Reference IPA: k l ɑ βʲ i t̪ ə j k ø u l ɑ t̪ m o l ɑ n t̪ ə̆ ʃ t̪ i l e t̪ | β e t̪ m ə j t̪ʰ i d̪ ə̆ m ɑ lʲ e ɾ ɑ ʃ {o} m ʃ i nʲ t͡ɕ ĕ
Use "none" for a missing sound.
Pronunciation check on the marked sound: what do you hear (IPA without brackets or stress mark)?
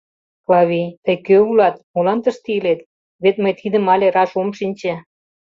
o